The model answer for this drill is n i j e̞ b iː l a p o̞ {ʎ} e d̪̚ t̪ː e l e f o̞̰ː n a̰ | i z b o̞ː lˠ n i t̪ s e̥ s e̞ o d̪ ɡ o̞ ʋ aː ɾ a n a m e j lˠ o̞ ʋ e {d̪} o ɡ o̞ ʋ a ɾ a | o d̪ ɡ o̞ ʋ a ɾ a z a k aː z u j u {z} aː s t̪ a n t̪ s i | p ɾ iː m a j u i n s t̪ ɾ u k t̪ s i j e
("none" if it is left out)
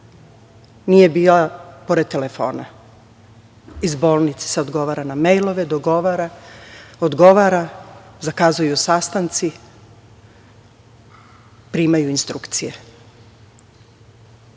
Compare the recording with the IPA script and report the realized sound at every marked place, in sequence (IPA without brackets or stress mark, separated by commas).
ɾ, d̪, s